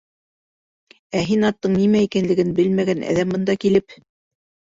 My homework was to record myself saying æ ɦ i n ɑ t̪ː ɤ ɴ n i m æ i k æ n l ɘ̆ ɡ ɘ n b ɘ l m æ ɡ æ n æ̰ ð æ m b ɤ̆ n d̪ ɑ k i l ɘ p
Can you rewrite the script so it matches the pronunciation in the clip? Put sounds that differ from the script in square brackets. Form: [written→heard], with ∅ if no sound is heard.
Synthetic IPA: æ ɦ i n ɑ t̪ː ɤ ɴ n i m æ i k æ n l ɘ̆ ɡ ɘ n b ɘ l m æ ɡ æ n æ̰ ð æ m b ɤ̆ n d̪ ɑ k i l ɘ p

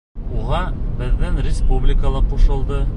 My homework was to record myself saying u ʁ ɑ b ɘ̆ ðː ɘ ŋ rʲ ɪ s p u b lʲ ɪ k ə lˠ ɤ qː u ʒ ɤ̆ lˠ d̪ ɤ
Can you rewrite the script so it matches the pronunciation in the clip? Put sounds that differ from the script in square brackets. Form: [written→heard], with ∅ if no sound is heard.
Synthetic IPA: u ʁ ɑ b ɘ̆ ðː ɘ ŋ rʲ ɪ s p u b lʲ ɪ k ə lˠ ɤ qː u [ʒ→ʃ] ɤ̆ lˠ d̪ ɤ

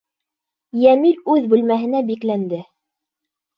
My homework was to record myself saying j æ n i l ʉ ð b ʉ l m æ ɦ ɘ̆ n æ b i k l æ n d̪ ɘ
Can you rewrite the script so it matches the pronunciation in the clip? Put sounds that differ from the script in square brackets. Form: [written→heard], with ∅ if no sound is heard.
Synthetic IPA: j æ [n→m] i l ʉ ð b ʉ l m æ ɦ ɘ̆ n æ b i k l æ n d̪ ɘ

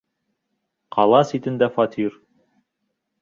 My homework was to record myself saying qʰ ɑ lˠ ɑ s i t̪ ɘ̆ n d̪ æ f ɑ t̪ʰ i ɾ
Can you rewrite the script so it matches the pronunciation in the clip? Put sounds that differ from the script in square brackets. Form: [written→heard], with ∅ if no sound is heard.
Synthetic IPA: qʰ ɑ lˠ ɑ s i t̪ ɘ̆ n d̪ æ f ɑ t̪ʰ i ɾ

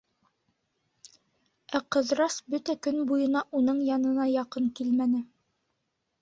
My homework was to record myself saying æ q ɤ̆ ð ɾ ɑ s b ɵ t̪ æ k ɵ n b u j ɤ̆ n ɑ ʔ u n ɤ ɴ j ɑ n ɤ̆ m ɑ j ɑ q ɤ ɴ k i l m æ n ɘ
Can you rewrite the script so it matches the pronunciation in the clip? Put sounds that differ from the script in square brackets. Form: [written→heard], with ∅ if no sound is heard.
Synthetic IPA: æ q ɤ̆ ð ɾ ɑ s b ɵ t̪ æ k ɵ n b u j ɤ̆ n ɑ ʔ u n ɤ ɴ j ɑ n ɤ̆ [m→n] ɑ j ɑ q ɤ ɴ k i l m æ n ɘ

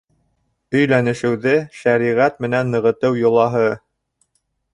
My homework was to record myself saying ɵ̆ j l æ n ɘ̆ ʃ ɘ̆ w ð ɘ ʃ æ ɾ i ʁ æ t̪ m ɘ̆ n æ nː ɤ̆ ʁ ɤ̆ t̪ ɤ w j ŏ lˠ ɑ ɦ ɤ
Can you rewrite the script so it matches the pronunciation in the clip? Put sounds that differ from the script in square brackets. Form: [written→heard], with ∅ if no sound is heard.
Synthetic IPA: ɵ̆ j l æ n ɘ̆ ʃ ɘ̆ w ð ɘ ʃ æ ɾ i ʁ æ t̪ m ɘ̆ n æ nː ɤ̆ ʁ ɤ̆ t̪ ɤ w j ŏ lˠ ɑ ɦ ɤ

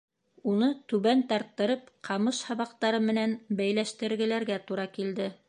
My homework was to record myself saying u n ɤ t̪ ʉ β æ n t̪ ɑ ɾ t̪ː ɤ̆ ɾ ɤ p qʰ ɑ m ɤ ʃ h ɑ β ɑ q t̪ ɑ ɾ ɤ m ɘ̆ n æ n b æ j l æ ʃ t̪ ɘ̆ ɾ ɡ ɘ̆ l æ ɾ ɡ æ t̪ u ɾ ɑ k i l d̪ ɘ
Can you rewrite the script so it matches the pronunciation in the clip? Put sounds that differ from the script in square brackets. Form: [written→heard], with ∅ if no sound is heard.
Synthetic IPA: u n ɤ t̪ ʉ β æ n t̪ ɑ ɾ t̪ː ɤ̆ ɾ ɤ p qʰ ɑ m ɤ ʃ h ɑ β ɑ q t̪ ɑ ɾ ɤ m ɘ̆ n æ n b æ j l æ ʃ t̪ ɘ̆ ɾ ɡ ɘ̆ l æ ɾ ɡ æ t̪ u ɾ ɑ k i l d̪ ɘ

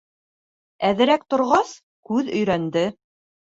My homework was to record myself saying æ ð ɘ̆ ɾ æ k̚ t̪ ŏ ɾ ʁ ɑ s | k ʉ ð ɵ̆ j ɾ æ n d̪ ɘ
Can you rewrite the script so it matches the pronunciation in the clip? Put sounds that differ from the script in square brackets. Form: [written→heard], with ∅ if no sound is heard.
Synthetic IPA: æ ð ɘ̆ ɾ æ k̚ t̪ ŏ ɾ ʁ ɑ s | k ʉ ð ɵ̆ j ɾ æ n d̪ ɘ

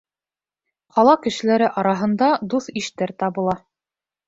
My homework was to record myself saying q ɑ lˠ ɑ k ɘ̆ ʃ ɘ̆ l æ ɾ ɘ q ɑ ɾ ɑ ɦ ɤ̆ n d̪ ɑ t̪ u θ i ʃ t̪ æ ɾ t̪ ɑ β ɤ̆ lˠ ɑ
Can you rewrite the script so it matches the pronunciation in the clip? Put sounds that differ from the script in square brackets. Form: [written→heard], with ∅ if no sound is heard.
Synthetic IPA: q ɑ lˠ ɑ k ɘ̆ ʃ ɘ̆ l æ ɾ ɘ [q→ʔ] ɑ ɾ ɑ ɦ ɤ̆ n d̪ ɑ [t̪→d̪] u θ i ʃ t̪ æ ɾ t̪ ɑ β ɤ̆ lˠ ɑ

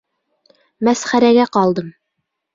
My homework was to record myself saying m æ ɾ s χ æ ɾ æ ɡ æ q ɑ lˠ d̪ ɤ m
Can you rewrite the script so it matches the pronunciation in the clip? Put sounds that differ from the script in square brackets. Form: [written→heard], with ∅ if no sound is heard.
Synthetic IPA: m æ [ɾ→∅] s χ æ ɾ æ ɡ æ q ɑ lˠ d̪ ɤ m

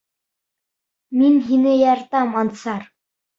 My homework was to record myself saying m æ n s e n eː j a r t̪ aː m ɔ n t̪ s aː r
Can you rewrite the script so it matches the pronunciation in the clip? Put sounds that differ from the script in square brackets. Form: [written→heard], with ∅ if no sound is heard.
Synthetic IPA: m [æ→i] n [s→x] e n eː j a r t̪ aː m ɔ n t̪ s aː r

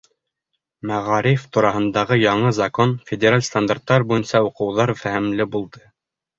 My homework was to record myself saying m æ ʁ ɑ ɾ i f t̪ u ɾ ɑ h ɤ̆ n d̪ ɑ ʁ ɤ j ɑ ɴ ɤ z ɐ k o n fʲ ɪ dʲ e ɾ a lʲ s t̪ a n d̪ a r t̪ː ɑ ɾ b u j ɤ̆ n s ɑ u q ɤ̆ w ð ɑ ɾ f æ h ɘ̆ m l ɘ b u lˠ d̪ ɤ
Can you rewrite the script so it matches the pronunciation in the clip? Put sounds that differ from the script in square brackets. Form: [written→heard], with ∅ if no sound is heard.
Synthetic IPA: m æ ʁ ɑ ɾ i f t̪ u ɾ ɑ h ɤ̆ n d̪ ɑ ʁ ɤ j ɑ ɴ ɤ z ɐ k o n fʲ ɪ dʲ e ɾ a lʲ s t̪ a n d̪ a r t̪ː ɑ ɾ b u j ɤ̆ n s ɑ u q ɤ̆ w ð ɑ ɾ f æ h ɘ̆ m l ɘ b u lˠ d̪ ɤ

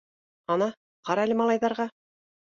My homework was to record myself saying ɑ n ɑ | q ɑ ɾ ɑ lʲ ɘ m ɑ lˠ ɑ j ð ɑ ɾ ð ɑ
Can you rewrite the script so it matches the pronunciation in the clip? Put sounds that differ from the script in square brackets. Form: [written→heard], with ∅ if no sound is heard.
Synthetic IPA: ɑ n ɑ | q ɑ ɾ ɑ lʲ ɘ m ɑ lˠ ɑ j ð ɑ ɾ [ð→ʁ] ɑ

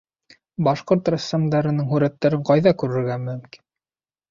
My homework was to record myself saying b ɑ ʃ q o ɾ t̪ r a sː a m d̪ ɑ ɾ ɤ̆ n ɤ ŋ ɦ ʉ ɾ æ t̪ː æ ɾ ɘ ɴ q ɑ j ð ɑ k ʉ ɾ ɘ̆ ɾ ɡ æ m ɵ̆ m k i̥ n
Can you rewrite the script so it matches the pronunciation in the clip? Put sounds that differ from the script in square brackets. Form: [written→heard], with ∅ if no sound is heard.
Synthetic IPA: b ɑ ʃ q o ɾ t̪ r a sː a m d̪ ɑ ɾ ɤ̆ n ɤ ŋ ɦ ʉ ɾ æ t̪ː æ ɾ ɘ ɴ q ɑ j ð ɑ k ʉ ɾ ɘ̆ ɾ ɡ æ m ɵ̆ m k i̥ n

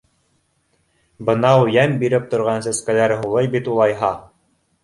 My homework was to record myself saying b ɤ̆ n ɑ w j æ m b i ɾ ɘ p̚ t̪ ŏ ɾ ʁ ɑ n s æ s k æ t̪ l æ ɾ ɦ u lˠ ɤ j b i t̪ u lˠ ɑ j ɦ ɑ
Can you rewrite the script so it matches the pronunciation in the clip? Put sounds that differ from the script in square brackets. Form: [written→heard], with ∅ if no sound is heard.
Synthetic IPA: b ɤ̆ n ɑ w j æ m b i ɾ ɘ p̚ t̪ ŏ ɾ ʁ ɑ n s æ s k æ [t̪→∅] l æ ɾ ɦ u lˠ ɤ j b i t̪ u lˠ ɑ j ɦ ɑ

